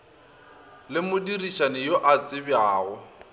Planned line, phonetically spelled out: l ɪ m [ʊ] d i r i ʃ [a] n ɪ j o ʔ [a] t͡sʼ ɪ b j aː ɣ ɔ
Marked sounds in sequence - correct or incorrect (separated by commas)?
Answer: correct, correct, correct